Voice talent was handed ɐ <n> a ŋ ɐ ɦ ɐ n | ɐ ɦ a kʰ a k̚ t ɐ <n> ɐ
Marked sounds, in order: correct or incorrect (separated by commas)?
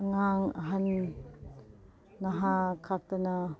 incorrect, correct